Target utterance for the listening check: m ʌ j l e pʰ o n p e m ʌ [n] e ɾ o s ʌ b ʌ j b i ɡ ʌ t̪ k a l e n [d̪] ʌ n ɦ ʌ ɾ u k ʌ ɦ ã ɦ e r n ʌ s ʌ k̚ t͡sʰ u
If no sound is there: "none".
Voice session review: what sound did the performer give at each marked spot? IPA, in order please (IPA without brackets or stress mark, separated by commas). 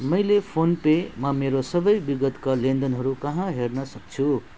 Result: m, d̪